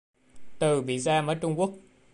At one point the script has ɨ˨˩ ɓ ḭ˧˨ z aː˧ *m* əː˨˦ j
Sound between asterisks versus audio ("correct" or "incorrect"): correct